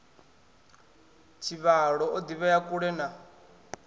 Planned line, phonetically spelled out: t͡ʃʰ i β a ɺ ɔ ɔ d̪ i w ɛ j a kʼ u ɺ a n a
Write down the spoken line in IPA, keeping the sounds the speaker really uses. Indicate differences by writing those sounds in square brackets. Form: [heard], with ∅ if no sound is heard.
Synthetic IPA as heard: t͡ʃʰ i β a ɺ ɔ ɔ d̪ i [β] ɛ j a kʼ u ɺ [ɛ] n a